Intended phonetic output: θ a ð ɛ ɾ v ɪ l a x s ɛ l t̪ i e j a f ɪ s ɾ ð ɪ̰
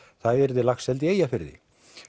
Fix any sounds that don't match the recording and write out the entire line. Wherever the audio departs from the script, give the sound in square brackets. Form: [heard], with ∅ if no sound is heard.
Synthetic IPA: θ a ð ɛ ɾ [ð] ɪ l a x s ɛ l t̪ [ɪ] e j a f ɪ [∅] ɾ ð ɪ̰